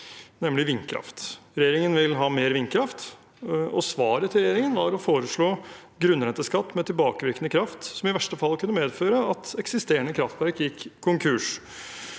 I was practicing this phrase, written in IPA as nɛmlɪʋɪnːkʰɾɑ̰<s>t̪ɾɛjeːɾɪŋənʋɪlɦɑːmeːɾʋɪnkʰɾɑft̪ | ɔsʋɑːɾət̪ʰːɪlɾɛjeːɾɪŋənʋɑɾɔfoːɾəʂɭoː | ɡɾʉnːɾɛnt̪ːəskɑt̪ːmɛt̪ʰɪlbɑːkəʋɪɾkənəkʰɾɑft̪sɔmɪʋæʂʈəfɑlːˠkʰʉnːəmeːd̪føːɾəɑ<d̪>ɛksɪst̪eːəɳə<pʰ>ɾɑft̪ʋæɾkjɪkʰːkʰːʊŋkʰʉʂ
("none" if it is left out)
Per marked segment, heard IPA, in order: f, t̪, kʰ

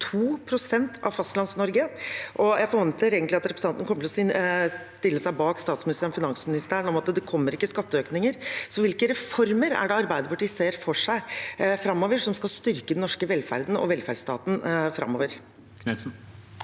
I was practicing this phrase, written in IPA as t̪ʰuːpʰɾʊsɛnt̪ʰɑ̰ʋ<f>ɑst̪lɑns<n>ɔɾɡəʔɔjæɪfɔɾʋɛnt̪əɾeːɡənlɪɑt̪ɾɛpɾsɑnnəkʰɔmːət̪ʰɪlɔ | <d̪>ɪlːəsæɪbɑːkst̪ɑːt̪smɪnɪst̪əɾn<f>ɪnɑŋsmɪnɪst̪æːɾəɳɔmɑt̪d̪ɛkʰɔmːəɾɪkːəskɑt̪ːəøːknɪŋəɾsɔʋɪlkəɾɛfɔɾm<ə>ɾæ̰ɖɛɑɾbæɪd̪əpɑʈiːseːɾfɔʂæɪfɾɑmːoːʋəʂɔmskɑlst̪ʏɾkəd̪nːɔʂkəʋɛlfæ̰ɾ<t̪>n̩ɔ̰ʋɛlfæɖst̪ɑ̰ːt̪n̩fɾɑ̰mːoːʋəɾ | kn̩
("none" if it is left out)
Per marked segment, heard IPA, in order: f, n, t̪, f, ə, d̪

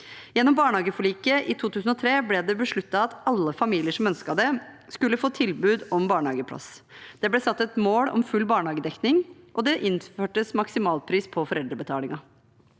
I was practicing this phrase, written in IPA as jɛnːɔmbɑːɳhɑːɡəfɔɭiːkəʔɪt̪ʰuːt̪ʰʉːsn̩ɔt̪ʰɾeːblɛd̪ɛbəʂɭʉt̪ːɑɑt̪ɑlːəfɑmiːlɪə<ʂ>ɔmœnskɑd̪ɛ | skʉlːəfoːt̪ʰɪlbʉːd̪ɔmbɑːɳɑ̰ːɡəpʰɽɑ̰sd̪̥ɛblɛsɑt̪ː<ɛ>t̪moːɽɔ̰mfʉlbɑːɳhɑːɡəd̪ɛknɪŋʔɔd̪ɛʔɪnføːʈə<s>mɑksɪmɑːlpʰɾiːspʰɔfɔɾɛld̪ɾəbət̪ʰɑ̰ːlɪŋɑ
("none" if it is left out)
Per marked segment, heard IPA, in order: ʂ, ɛ, s

